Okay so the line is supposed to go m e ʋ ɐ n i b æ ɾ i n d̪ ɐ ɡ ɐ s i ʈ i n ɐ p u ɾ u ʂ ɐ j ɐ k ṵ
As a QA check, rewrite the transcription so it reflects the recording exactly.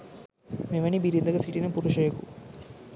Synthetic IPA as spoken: m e ʋ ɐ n i b i ɾ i n d̪ ɐ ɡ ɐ s i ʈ i n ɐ p u ɾ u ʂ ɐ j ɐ k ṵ

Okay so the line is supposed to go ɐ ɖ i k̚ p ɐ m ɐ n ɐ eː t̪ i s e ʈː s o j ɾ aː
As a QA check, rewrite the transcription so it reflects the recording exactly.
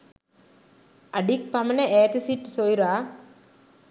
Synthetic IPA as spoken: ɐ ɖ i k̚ p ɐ m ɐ n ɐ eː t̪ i s i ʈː s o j ɾ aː

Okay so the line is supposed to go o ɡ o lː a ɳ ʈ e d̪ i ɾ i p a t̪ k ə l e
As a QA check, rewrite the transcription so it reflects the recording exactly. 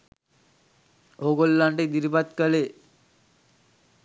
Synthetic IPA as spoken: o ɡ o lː a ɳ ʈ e d̪ i ɾ i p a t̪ k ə l e

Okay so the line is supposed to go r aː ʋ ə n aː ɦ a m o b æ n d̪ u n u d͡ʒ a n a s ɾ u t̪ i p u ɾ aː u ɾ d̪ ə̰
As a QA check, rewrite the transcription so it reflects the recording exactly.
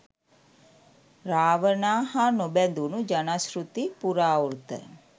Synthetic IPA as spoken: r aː ʋ ə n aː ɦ a n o b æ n d̪ u n u d͡ʒ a n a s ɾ u t̪ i p u ɾ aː u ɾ t̪ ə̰

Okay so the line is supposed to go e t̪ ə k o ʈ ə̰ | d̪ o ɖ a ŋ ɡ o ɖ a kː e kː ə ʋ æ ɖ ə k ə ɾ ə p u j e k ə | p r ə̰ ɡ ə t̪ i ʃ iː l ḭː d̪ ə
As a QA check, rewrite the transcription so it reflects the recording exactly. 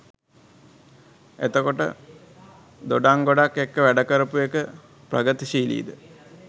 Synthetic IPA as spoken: e t̪ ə k o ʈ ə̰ | d̪ o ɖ a ŋ ɡ o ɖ a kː e kː ə ʋ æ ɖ ə k ə ɾ ə p u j e k ə | p r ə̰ ɡ ə t̪ i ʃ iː l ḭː d̪ ə

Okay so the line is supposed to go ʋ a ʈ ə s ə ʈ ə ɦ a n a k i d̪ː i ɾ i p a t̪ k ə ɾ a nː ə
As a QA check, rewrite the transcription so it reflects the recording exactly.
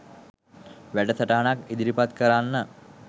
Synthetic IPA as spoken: ʋ æ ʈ ə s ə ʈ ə ɦ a n a k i d̪ i ɾ i p a t̪ k ə ɾ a nː ə

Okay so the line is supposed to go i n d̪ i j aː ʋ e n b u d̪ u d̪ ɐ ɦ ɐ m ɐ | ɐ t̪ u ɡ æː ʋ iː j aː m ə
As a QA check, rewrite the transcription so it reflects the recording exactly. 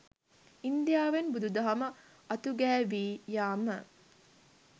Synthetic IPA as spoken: i n d̪ i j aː ʋ e n b u d̪ u d̪ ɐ ɦ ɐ m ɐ | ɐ t̪ u ɡ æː ʋ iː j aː m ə

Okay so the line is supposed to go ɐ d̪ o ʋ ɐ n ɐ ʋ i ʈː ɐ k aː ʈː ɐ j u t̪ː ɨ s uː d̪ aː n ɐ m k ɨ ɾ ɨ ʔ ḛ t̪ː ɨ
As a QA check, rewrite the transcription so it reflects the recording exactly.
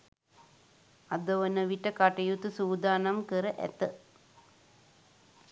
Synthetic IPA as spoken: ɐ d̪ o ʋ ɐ n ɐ ʋ i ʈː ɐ k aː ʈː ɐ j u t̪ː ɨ s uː d̪ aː n ɐ m k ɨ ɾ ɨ ʔ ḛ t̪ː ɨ

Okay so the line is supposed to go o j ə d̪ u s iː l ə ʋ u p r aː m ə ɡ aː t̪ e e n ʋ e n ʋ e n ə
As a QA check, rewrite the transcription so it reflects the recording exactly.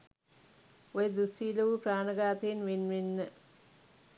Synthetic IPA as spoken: o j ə d̪ u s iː l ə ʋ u p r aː n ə ɡ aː t̪ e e n ʋ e n ʋ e nː ə

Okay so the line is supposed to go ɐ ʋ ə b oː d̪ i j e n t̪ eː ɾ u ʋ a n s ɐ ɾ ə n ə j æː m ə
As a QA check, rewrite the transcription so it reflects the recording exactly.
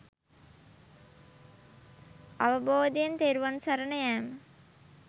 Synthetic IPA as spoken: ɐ ʋ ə b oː d̪ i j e n t̪ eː ɾ u ʋ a n s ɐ ɾ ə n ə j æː m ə

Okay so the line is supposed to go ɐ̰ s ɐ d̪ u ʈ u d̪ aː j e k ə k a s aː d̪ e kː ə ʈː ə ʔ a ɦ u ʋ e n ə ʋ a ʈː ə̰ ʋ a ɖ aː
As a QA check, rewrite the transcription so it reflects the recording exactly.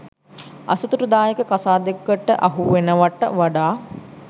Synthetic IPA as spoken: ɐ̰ s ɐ t̪ u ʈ u d̪ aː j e k ə k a s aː d̪ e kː ə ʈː ə ʔ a ɦ u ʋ e n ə ʋ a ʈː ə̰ ʋ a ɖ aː

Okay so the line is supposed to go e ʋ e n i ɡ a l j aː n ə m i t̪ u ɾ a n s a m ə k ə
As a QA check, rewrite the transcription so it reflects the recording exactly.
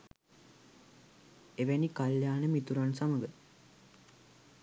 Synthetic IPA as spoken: e ʋ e n i k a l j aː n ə m i t̪ u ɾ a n s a m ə ɡ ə

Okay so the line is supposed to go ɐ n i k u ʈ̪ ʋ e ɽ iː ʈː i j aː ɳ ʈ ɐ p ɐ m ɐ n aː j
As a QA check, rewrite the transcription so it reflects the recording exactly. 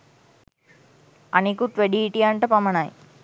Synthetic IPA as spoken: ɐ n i k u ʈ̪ ʋ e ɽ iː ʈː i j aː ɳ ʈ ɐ p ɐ m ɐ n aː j

